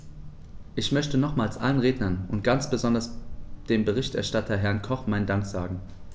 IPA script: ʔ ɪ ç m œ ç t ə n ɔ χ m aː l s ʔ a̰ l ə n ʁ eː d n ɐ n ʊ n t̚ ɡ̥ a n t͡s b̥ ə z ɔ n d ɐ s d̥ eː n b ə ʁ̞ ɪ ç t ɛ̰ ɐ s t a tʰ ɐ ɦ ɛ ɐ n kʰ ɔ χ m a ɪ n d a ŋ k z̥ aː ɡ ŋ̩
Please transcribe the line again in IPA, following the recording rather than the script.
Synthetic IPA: ʔ ɪ ç m œ ç t ə n ɔ χ m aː l s ʔ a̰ l ə n ʁ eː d n ɐ n ʊ n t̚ ɡ̥ a n t͡s b̥ ə z ɔ n d ɐ s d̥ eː m b ə ʁ̞ ɪ ç t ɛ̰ ɐ ʃ t a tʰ ɐ ɦ ɛ ɐ n kʰ ɔ χ m a ɪ n d a ŋ k z̥ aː ɡ ŋ̩